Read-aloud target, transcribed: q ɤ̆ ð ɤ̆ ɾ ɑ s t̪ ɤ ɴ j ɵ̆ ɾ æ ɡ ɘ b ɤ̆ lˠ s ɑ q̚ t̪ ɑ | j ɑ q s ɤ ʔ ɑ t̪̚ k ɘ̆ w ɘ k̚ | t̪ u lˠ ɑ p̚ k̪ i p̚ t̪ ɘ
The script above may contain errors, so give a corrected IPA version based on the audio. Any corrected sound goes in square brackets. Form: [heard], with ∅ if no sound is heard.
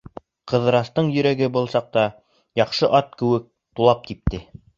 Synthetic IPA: q ɤ̆ ð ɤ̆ ɾ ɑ s t̪ ɤ ɴ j ɵ̆ ɾ æ ɡ ɘ b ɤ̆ lˠ s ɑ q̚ t̪ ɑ | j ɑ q [ʃ] ɤ ʔ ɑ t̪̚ k ɘ̆ w ɘ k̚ | t̪ u lˠ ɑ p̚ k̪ i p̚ t̪ ɘ

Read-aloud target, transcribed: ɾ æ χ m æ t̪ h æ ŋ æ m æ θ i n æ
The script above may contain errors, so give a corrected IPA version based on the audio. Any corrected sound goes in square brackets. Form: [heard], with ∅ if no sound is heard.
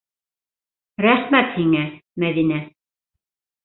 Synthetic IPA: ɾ æ χ m æ t̪ h [i] ŋ æ m æ [ð] i n æ

